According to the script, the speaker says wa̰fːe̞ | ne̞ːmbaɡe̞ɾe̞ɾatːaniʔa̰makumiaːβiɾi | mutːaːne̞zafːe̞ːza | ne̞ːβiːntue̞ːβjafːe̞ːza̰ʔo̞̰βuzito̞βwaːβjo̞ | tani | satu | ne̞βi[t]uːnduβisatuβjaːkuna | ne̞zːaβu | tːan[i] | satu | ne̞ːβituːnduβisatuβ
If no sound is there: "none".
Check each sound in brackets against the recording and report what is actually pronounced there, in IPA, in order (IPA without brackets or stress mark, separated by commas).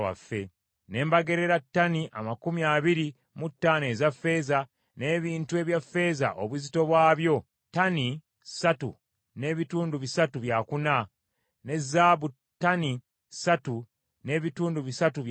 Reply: t, i